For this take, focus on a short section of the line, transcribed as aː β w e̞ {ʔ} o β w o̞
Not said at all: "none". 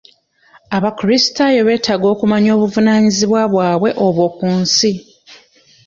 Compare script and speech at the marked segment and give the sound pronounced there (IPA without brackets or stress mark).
ʔ